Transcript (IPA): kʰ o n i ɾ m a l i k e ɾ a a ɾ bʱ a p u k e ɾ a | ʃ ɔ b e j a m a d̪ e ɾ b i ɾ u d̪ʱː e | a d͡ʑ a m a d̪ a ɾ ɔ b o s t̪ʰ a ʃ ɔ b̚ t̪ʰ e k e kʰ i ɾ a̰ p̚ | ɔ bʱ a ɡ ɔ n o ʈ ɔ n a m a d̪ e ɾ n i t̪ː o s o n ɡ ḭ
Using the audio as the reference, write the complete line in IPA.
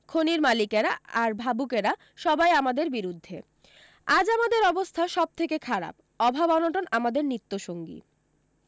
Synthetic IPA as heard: kʰ o n i ɾ m a l i k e ɾ a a ɾ bʱ a b u k e ɾ a | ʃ ɔ b a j a m a d̪ e ɾ b i ɾ u d̪ʱː e | a d͡ʑ a m a d̪ e ɾ ɔ b o s t̪ʰ a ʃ ɔ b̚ t̪ʰ e k e kʰ a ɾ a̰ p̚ | ɔ bʱ a b ɔ n o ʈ o n a m a d̪ e ɾ n i t̪ː o ʃ o ŋ ɡ ḭ